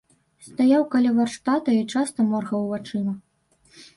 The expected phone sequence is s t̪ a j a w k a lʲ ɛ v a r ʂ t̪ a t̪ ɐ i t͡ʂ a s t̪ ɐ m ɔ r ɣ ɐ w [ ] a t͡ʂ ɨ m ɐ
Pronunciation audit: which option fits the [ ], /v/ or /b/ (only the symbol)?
v